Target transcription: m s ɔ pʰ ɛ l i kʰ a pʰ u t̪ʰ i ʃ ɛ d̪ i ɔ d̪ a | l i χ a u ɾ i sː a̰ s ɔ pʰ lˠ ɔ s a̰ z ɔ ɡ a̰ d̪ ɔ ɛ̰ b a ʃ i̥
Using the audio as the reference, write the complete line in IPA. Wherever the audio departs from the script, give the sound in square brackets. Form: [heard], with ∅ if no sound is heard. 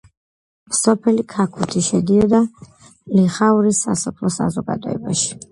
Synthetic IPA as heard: m s ɔ pʰ ɛ l i kʰ a [kʰ] u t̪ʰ i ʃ ɛ d̪ i ɔ d̪ a | l i χ a u ɾ i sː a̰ s ɔ pʰ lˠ ɔ s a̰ z ɔ ɡ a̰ d̪ ɔ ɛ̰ b a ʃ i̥